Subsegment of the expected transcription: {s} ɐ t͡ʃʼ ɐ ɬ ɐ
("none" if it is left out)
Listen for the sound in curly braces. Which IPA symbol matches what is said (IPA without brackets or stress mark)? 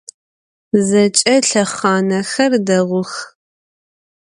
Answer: z